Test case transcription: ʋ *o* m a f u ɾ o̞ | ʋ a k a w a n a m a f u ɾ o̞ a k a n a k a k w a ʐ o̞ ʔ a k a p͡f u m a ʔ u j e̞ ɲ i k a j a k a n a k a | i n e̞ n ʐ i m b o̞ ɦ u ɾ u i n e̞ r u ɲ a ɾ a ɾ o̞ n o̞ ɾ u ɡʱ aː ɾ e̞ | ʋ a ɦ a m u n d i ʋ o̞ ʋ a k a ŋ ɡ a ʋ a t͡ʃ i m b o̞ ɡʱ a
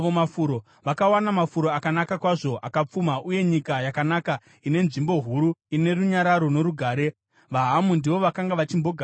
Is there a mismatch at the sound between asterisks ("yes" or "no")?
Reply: no